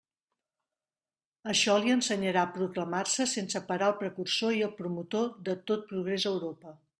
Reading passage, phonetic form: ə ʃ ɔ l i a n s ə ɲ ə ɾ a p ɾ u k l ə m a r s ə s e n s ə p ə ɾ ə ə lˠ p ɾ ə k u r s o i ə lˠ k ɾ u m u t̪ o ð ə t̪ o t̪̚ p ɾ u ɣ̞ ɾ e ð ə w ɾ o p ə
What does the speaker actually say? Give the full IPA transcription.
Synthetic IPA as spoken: ə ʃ ɔ l i ə n s ə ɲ ə ɾ a p ɾ u k l ə m a r s ə s e n s ə p ə ɾ a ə lˠ p ɾ ə k u r s o i ə lˠ p ɾ u m u t̪ o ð ə t̪ o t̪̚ p ɾ u ɣ̞ ɾ e z ə w ɾ o p ə